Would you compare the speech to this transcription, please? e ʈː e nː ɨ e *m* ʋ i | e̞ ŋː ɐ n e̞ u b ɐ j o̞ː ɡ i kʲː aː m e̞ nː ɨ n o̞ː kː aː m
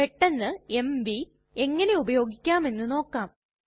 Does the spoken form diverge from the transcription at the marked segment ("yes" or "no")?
no